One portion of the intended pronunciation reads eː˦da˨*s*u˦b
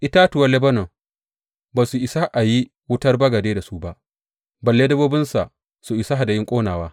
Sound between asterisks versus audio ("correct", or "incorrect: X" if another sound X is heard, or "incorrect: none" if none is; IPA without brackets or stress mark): correct